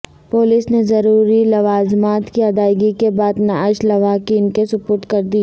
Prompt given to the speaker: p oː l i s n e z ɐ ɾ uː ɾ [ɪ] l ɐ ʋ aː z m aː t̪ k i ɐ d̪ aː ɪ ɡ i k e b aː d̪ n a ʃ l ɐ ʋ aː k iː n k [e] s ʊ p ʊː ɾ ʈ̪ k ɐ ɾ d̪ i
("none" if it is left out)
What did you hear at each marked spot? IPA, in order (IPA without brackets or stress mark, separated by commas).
i, e